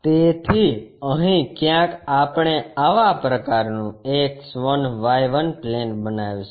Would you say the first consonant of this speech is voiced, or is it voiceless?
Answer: voiceless